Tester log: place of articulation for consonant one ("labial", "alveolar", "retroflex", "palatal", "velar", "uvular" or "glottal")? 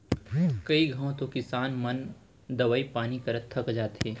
velar